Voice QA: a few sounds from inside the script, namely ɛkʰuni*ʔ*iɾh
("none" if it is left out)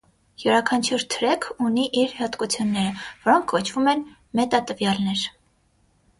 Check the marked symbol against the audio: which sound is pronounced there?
ʔ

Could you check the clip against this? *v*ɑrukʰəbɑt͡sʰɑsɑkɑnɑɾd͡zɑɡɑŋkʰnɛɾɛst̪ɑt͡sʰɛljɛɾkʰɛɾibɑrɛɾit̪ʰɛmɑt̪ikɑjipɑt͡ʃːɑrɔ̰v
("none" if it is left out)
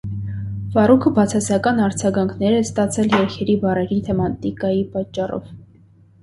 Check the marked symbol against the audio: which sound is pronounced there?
v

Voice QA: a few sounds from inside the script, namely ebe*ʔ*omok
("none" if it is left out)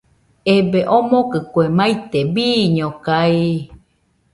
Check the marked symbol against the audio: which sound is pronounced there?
ʔ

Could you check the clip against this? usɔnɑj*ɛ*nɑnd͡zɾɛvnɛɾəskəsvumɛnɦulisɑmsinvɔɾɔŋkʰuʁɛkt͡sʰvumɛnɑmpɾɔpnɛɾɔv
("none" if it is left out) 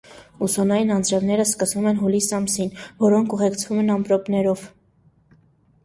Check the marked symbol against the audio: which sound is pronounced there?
i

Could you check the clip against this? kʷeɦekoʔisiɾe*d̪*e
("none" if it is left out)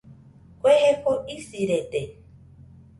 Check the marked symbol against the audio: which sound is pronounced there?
t̪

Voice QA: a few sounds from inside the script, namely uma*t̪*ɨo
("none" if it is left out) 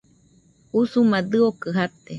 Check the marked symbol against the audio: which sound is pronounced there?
d̪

